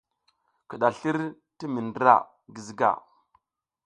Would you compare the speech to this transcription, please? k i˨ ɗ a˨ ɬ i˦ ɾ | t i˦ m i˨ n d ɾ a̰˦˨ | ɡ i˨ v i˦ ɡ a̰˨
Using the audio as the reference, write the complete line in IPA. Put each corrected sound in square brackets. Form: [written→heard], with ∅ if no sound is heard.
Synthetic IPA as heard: k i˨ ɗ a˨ ɬ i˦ ɾ | t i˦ m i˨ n d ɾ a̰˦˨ | ɡ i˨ [v→z] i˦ ɡ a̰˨